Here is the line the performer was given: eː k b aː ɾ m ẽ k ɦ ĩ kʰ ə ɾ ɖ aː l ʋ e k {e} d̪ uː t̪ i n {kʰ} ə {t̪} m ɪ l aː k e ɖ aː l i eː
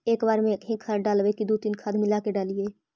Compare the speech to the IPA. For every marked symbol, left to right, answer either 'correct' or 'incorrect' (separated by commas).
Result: incorrect, correct, incorrect